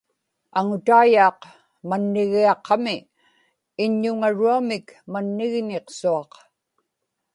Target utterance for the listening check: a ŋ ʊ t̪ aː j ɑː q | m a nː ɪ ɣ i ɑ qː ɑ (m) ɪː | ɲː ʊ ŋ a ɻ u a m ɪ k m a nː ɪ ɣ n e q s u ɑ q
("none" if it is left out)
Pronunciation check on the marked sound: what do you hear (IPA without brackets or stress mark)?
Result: m